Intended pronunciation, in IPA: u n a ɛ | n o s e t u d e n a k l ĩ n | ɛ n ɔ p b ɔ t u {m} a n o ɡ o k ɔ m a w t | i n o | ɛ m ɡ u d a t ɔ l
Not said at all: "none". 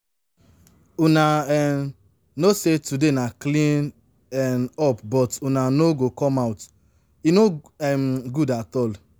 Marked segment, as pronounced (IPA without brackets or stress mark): n